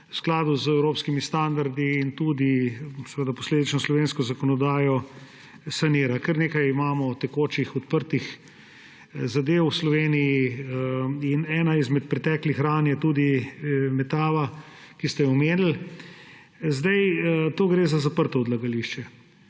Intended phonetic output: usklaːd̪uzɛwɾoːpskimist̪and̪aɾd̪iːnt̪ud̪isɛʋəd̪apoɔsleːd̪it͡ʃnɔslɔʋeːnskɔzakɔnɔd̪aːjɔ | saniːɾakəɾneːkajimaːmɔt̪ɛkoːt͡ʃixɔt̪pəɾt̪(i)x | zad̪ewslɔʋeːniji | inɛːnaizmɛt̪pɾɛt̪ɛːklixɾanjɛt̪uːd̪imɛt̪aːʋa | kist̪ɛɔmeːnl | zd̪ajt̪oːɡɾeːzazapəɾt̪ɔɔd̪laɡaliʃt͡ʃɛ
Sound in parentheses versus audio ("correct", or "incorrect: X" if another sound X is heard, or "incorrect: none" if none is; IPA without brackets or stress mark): correct